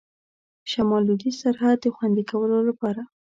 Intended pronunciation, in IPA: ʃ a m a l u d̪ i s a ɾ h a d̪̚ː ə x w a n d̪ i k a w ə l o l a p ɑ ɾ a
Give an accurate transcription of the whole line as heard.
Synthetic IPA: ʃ a m ɑ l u d̪ i s a ɾ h a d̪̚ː ə x w a n d̪ i k a w ə l o l a p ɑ ɾ a